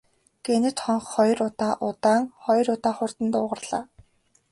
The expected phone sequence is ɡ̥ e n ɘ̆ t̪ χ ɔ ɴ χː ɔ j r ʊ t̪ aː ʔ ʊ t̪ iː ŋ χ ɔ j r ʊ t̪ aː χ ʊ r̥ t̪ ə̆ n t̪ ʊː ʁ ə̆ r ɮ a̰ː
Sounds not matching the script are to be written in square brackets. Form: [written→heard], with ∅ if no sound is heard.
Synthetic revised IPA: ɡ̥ e n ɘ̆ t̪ χ ɔ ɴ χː ɔ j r ʊ t̪ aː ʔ ʊ t̪ [iː→aː] ŋ χ ɔ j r ʊ t̪ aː χ ʊ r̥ t̪ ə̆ n t̪ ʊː ʁ ə̆ r ɮ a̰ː